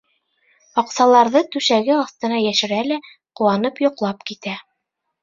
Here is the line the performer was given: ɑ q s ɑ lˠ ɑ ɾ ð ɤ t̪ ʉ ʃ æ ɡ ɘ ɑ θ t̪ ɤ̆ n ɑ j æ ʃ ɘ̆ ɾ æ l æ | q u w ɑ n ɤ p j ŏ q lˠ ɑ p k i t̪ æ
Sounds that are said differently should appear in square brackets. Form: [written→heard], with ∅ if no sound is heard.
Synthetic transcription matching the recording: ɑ q s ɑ lˠ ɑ ɾ ð ɤ t̪ ʉ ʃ æ ɡ ɘ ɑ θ t̪ ɤ̆ n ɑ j æ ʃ ɘ̆ ɾ æ l æ | q u w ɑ n ɤ p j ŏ q lˠ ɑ p k i t̪ æ